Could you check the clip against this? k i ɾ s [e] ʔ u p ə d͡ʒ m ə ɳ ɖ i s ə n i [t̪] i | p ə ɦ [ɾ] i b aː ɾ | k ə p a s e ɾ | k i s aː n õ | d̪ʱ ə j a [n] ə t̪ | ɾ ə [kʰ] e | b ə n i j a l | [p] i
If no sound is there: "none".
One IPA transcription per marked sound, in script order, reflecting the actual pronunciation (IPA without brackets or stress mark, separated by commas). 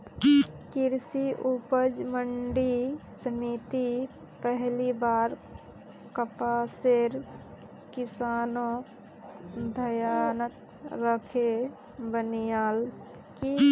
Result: i, t̪, l, n, kʰ, k